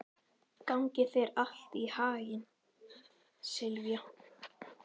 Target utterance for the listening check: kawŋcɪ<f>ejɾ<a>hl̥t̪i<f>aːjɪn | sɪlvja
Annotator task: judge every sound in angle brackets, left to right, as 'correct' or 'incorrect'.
incorrect: θ, correct, incorrect: h

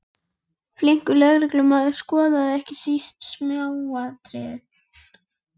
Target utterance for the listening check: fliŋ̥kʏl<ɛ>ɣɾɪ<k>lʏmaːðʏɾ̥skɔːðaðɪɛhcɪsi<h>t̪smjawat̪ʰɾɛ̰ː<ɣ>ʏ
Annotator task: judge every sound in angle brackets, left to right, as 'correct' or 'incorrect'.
incorrect: œ, correct, incorrect: s, incorrect: ð

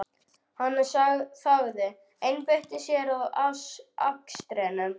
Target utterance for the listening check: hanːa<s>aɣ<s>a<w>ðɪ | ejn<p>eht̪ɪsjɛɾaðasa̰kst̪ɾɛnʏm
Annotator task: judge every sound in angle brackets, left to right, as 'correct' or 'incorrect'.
correct, incorrect: θ, incorrect: ɣ, correct

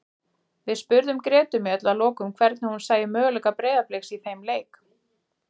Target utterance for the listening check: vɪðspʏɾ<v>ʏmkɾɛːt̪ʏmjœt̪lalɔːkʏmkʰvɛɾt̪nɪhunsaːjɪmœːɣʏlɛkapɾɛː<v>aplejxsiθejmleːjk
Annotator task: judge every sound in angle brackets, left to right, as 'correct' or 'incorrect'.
incorrect: ð, incorrect: ð

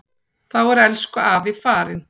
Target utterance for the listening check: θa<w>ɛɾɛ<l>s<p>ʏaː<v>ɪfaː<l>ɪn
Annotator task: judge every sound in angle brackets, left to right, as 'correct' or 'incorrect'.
correct, correct, incorrect: k, correct, incorrect: ɾ

